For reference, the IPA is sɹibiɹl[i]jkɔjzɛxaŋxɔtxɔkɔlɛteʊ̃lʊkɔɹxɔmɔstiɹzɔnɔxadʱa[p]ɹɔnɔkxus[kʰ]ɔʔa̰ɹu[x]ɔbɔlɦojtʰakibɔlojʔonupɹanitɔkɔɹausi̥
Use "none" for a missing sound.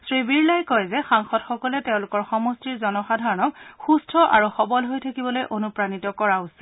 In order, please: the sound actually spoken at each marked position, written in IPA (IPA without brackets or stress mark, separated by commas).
a, none, tʰ, x